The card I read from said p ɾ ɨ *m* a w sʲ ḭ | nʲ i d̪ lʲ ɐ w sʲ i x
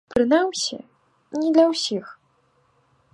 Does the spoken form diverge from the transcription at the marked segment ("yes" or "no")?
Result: yes